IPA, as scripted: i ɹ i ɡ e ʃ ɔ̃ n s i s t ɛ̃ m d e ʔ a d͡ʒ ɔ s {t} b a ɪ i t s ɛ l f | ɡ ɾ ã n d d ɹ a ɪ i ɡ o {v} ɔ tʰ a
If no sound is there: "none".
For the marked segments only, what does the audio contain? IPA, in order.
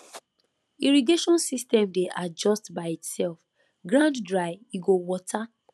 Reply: t, w

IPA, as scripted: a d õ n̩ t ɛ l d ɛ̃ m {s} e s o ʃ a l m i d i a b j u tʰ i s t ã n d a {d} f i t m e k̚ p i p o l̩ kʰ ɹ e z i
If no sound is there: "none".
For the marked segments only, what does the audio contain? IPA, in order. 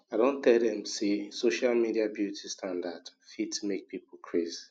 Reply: s, d

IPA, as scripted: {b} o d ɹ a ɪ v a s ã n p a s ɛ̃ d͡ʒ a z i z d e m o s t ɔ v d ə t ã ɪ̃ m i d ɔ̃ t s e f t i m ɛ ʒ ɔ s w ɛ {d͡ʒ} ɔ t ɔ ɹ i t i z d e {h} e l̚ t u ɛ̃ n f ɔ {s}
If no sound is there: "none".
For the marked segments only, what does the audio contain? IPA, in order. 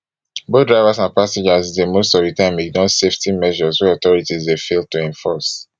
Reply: b, none, f, s

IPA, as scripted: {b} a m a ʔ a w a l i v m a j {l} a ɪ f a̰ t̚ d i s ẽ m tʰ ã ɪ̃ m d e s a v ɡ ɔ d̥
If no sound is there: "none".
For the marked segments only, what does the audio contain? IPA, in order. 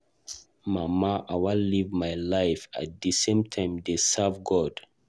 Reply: m, l

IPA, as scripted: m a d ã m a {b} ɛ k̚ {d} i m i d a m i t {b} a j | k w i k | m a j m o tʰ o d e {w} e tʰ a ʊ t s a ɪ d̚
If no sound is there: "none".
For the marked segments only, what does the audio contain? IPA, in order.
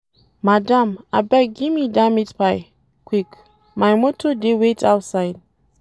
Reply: b, ɡ, p, w

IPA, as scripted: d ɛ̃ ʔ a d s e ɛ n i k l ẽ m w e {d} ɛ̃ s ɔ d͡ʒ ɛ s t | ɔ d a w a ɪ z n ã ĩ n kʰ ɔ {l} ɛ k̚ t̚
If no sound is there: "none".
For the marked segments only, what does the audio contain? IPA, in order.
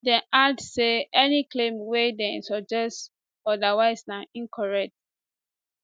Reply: d, ɹ

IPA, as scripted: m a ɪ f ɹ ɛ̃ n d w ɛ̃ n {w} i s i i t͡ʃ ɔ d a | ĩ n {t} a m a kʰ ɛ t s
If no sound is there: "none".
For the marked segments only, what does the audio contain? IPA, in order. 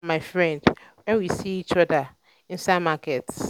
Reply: w, s

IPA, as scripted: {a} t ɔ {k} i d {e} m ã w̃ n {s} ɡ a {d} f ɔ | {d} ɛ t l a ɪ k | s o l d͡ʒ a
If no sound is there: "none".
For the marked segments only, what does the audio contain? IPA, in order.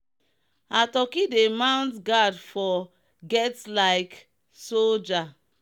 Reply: a, k, e, t, d, ɡ

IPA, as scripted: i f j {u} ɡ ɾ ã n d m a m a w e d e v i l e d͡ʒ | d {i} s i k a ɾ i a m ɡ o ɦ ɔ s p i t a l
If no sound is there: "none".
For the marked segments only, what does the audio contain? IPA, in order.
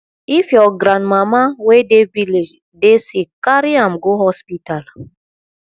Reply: ɔ, e

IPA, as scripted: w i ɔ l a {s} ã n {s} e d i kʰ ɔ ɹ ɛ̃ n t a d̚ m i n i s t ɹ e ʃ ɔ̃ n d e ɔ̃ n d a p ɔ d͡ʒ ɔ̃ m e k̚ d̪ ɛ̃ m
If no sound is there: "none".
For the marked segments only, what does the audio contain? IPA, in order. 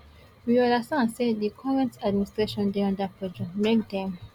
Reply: s, s

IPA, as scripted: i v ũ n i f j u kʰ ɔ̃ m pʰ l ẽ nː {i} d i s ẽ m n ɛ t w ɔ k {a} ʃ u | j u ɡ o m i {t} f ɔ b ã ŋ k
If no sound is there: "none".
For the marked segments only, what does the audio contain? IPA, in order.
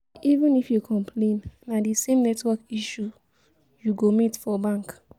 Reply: a, i, t

